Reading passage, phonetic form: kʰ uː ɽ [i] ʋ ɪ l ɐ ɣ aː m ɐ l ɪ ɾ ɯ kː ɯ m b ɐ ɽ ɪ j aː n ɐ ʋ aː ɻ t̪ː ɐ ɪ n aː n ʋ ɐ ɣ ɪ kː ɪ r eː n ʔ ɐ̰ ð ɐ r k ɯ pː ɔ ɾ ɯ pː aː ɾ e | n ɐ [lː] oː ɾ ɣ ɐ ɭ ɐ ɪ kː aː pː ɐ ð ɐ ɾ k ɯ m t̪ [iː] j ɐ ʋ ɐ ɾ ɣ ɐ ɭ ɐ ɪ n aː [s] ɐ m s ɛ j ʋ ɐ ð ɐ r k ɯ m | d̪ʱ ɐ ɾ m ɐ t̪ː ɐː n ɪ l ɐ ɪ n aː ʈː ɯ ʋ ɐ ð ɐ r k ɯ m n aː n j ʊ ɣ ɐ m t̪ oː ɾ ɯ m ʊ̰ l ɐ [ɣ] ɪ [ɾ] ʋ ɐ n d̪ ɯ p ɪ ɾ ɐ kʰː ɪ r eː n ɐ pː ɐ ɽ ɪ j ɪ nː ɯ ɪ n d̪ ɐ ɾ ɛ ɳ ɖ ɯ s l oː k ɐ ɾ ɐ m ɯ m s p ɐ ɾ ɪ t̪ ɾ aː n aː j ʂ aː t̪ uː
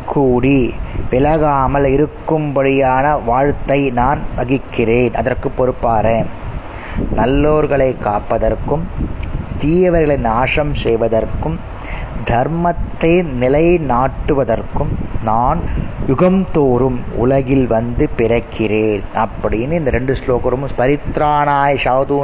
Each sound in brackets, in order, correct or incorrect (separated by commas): correct, correct, correct, incorrect, correct, incorrect